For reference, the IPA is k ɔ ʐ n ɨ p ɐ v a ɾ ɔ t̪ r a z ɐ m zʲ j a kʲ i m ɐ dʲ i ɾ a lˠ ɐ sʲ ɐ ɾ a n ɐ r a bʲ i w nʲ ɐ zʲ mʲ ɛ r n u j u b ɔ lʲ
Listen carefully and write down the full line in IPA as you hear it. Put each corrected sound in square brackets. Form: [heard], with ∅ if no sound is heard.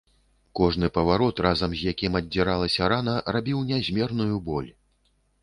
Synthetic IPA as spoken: k ɔ ʐ n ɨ p ɐ v a ɾ ɔ t̪ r a z ɐ m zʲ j a kʲ i m ɐ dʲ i ɾ a lˠ ɐ sʲ ɐ ɾ a n ɐ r a bʲ i w nʲ [a] zʲ mʲ ɛ r n u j u b ɔ lʲ